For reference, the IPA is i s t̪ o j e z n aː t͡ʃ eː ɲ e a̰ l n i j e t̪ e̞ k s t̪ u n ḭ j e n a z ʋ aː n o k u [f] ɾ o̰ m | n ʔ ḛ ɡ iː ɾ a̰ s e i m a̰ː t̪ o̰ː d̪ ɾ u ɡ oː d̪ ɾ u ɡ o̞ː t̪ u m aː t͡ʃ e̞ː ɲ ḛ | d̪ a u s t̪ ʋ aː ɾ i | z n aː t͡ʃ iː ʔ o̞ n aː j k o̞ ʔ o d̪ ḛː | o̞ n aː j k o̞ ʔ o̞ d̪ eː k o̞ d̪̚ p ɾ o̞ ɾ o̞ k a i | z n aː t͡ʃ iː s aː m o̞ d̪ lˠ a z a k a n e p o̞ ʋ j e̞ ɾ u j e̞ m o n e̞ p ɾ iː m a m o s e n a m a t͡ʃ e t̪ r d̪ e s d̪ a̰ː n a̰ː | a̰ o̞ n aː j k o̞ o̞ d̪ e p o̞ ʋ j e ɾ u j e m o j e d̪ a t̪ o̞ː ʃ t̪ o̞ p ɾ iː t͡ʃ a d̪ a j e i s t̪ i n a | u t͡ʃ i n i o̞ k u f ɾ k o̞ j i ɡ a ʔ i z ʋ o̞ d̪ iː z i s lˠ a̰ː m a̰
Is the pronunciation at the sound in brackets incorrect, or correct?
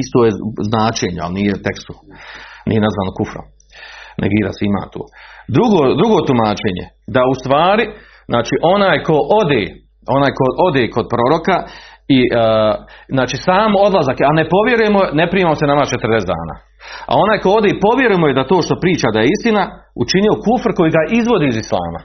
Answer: correct